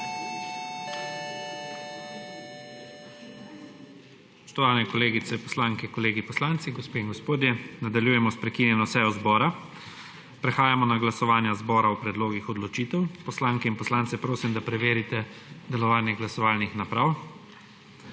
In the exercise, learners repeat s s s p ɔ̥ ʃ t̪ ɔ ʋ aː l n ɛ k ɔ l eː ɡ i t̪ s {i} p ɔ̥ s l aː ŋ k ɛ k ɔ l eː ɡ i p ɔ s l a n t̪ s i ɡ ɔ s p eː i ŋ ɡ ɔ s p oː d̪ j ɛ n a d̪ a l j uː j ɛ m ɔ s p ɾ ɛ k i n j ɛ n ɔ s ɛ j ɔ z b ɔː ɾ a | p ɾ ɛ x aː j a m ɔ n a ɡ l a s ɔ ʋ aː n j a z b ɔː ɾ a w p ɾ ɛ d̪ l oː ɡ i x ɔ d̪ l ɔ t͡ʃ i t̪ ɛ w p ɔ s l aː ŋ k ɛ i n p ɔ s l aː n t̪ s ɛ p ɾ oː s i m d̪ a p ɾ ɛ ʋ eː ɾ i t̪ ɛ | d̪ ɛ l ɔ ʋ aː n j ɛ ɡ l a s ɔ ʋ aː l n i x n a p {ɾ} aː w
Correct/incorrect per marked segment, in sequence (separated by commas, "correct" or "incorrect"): incorrect, correct